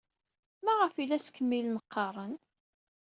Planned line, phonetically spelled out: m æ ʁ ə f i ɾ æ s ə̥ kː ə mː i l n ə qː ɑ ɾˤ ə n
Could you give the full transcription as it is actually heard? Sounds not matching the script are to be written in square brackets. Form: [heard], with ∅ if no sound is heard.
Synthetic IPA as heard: m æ ʁ ə f i [l] æ s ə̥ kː ə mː i l n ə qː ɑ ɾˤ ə n